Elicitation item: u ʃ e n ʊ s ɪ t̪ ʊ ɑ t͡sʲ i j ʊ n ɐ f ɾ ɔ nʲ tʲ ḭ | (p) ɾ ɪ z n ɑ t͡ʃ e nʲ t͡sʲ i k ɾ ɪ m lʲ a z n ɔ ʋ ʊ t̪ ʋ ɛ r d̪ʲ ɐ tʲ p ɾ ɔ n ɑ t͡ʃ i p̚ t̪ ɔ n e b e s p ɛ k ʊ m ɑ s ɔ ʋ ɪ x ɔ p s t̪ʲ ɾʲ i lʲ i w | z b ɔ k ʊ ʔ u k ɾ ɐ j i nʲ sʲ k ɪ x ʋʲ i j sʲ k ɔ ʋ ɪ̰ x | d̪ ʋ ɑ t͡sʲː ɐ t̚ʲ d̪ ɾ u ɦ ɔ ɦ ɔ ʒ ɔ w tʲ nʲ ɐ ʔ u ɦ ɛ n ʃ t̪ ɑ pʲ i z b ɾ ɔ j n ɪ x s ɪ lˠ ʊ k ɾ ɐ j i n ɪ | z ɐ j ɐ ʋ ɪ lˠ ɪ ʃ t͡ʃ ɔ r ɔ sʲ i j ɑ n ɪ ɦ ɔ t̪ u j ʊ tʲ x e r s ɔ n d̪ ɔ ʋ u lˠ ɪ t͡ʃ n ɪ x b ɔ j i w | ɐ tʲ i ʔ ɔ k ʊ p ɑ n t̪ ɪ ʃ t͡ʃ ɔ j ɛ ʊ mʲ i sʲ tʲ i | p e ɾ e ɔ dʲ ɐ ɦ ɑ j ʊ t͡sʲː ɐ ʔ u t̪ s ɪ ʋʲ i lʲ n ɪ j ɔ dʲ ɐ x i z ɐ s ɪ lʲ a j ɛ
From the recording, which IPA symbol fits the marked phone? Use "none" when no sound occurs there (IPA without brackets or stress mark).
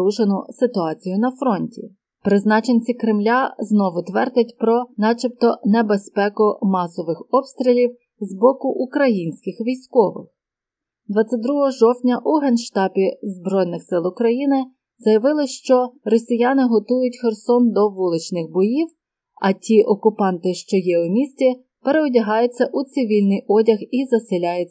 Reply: p